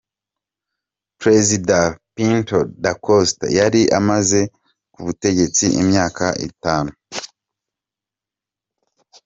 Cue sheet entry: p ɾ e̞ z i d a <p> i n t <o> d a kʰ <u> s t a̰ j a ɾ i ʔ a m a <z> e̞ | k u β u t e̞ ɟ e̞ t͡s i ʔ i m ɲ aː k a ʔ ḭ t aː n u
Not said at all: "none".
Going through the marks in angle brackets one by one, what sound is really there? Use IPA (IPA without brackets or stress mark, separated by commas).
p, o, o, z